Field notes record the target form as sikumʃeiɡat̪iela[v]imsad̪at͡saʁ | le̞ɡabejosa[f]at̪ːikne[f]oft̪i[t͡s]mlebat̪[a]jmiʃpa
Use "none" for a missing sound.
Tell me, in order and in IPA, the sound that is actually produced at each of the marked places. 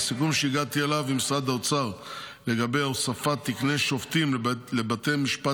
v, f, ʃ, none, e

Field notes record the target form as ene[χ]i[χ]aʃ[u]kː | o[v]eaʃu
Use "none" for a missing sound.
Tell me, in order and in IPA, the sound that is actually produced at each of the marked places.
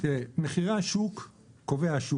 χ, ʁ, u, v

